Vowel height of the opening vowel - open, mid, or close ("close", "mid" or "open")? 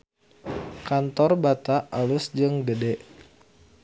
open